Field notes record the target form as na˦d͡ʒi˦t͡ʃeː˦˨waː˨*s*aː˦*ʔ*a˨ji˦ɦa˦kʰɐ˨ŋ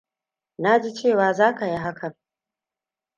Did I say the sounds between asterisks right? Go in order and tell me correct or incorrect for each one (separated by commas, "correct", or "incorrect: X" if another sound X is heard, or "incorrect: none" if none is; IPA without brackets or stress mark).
incorrect: z, incorrect: k